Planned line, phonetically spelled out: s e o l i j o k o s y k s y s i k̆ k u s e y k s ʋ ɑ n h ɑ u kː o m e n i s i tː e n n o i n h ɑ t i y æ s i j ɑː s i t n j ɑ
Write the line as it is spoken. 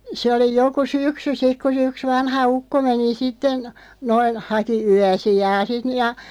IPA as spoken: s e o l i j o k u s y k s y s i k̆ k u s e y k s ʋ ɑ n h ɑ u kː o m e n i s i tː e n n o i n h ɑ k i y æ s i j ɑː s i t n j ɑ

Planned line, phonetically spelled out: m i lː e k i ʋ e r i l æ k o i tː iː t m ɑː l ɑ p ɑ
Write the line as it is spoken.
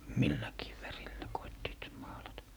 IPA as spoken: m i lː æ k iː ʋ æ r i lː æ k o i tː iː t m ɑː l ɑ t ɑ

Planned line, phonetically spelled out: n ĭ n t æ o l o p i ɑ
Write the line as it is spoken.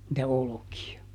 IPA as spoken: n ĭ t æ o l o k i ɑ

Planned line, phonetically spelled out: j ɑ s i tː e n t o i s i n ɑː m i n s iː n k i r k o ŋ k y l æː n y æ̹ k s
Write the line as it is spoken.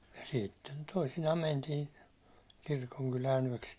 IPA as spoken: j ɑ s i tː e n t o i s i n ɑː m æ n t iː n k i r k o ŋ k y l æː n y æ̹ k s

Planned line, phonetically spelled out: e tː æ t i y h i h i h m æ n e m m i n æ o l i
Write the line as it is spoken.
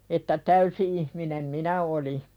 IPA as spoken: e tː æ t æ y s i i h m i n e m m i n æ o l i

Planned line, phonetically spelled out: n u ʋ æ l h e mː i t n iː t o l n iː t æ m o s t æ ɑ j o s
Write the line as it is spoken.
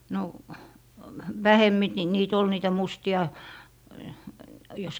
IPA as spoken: n o ʋ æ h e mː i t n iː t o l n iː t æ m u s t i ɑ j o s

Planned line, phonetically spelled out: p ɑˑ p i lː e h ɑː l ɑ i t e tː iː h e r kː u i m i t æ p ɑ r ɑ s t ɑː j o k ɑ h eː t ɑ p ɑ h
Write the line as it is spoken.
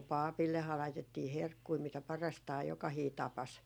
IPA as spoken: p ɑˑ p i lː e h ɑː l ɑ i t e tː iː h e r kː u i m i t æ p ɑ r ɑ s t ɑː j o k ɑ h iː t ɑ p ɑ s

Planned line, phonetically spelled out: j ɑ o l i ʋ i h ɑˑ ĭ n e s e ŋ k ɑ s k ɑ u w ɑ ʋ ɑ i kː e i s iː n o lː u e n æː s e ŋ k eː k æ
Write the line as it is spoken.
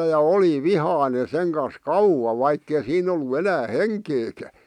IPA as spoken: j ɑ o l i ʋ i h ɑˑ ĭ n e s e ŋ k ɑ s k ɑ u w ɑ ʋ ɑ i kː e i s iː n o lː u e n æː h e ŋ k eː k æ

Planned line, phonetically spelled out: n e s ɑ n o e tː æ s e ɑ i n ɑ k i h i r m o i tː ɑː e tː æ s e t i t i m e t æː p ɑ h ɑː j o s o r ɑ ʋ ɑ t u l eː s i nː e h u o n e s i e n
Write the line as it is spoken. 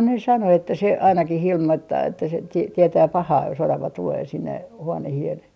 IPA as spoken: n e s ɑ n o e tː æ s e ɑ i n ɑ k i h i l m o i tː ɑː e tː æ s e t i t i e t æː p ɑ h ɑː j o s o r ɑ ʋ ɑ t u l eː s i nː e h u o n e h i e n

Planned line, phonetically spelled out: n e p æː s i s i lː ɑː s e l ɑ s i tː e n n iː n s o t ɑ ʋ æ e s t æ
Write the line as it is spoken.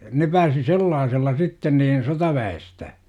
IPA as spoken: n e p æː s i s e lː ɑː s e lː ɑ s i tː e n n iː n s o t ɑ ʋ æ e s t æ

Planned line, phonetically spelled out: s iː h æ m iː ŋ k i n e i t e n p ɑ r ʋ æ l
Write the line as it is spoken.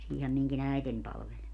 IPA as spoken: s iː h æ m i ŋ k i n æ i t e n p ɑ l ʋ e l

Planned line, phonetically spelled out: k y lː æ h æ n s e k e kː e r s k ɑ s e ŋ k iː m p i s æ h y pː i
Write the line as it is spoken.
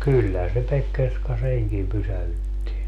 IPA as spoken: k y lː æ h æ n s e p e kː e r s k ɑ s e ŋ k i m p y s æ h y tː i

